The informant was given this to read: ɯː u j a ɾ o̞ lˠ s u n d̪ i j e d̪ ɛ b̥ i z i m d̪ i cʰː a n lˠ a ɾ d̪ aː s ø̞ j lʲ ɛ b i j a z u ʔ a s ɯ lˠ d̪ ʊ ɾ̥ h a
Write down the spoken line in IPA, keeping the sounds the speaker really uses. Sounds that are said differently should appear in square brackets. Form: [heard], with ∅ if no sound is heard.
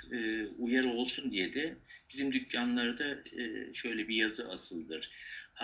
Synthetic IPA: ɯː u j a ɾ o̞ lˠ s u n d̪ i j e d̪ ɛ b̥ i z i m d̪ [y] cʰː a n lˠ a ɾ d̪ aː [ʃ] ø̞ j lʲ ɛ b i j a z [ɯ] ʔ a s ɯ lˠ d̪ [ɯ] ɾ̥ h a